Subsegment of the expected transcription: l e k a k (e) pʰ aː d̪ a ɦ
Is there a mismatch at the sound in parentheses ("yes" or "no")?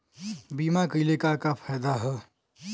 yes